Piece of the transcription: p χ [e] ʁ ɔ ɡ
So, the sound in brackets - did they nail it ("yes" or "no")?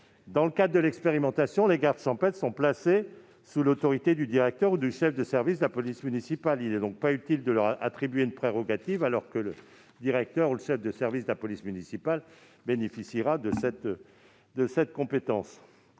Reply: yes